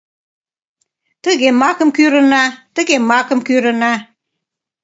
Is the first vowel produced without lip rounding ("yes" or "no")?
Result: yes